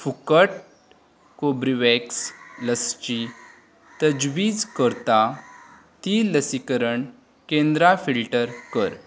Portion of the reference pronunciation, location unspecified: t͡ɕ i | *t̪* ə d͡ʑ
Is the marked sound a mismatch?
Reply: no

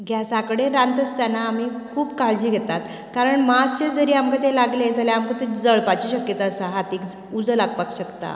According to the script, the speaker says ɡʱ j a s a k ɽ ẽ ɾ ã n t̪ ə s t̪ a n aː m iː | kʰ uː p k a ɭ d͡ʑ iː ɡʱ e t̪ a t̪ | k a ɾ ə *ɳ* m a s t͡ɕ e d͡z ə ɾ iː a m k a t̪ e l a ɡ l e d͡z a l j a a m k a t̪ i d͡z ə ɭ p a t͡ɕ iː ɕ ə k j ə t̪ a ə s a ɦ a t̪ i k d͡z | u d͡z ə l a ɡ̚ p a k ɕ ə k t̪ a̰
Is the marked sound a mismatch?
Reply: no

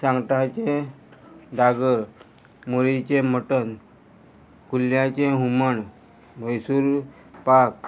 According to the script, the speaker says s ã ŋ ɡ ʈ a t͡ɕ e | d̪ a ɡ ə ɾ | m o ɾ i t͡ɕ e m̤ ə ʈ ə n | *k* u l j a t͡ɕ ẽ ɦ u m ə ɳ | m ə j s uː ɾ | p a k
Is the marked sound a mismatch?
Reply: no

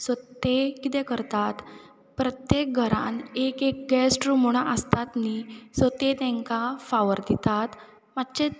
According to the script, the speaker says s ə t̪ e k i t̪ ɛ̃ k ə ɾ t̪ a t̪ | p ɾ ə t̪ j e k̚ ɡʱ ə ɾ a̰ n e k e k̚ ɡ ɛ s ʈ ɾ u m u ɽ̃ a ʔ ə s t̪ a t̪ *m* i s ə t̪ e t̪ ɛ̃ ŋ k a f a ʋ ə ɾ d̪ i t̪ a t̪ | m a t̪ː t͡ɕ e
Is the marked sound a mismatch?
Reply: yes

